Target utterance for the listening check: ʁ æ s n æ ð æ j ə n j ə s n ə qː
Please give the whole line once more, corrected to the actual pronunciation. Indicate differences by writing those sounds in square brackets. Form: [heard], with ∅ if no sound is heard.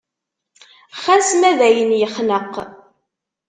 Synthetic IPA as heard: [χ] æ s [m] æ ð æ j ə n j ə [χ] n ə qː